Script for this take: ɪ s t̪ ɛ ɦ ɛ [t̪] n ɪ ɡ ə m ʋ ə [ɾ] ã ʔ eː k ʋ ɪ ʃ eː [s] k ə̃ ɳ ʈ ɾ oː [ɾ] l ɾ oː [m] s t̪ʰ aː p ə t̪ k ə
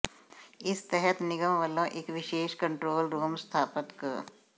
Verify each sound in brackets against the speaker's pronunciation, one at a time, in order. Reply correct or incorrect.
correct, incorrect: l, incorrect: ʃ, incorrect: none, correct

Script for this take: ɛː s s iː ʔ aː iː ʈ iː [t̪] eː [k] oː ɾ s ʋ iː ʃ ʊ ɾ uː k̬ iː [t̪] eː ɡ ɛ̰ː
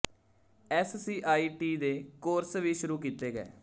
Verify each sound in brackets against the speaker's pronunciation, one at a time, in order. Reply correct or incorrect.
incorrect: d̪, correct, correct

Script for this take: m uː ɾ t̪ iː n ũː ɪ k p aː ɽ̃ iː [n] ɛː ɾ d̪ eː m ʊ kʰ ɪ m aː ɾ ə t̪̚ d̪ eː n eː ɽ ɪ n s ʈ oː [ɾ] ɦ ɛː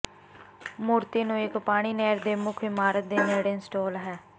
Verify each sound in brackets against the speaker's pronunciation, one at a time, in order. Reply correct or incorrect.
correct, incorrect: l

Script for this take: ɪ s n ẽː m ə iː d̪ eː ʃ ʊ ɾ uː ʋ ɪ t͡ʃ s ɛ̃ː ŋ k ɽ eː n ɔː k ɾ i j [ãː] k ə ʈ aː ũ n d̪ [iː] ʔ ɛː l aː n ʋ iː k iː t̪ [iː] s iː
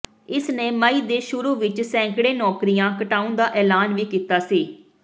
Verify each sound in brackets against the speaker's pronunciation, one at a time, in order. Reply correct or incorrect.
correct, incorrect: aː, incorrect: aː

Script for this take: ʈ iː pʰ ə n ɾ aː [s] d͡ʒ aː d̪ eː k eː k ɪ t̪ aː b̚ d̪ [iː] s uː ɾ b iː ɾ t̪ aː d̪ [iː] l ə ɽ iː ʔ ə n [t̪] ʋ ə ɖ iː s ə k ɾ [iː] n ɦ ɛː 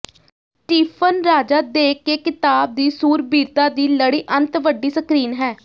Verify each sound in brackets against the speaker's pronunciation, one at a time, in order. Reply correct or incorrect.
incorrect: none, correct, correct, correct, correct

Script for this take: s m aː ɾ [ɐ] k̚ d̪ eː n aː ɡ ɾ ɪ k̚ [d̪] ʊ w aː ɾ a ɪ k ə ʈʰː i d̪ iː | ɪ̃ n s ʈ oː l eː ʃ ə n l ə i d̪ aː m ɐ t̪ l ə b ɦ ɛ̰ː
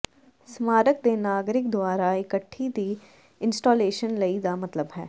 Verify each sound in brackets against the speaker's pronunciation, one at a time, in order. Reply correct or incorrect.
incorrect: ə, correct

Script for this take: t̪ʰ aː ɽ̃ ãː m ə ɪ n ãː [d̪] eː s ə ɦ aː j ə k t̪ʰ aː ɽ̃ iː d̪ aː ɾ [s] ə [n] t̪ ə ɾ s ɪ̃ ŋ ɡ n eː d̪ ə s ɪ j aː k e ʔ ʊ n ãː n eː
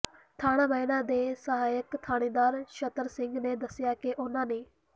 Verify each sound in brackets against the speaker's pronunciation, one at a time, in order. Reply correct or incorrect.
correct, incorrect: ʃ, incorrect: none

